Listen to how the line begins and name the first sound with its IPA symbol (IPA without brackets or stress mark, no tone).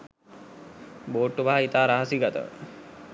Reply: b